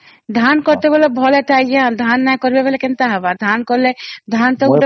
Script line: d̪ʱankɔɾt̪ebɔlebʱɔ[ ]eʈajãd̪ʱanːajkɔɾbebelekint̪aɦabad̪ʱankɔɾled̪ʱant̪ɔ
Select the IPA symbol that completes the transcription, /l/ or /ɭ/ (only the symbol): l